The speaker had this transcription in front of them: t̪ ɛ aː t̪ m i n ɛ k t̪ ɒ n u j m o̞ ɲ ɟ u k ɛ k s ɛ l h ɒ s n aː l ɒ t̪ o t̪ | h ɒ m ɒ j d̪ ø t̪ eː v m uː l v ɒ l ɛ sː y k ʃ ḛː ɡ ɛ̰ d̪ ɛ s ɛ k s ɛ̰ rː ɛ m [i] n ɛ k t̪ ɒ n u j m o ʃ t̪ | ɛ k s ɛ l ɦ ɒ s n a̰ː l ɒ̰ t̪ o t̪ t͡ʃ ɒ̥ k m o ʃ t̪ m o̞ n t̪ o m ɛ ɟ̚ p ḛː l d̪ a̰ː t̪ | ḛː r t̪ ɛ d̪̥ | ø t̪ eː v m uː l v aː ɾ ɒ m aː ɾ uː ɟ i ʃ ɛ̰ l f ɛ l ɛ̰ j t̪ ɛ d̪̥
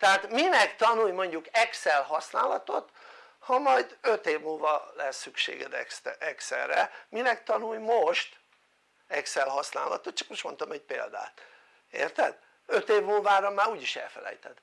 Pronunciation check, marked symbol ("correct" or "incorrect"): correct